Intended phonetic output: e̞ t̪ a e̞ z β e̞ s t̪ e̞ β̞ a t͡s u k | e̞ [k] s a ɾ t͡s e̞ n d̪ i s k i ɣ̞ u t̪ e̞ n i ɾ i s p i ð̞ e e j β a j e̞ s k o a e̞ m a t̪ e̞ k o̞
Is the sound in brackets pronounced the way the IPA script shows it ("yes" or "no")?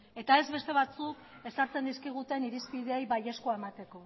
no